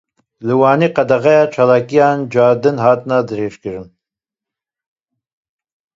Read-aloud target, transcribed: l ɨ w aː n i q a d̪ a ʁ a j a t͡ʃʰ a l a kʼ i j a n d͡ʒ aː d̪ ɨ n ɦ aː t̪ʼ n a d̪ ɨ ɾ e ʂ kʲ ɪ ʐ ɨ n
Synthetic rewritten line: l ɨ w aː n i q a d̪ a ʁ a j a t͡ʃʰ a l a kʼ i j a n d͡ʒ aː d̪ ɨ n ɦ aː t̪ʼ n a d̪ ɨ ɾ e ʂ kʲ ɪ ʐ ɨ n